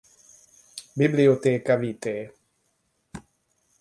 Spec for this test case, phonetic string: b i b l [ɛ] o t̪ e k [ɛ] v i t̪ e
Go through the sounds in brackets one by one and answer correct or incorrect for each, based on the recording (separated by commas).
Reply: incorrect, incorrect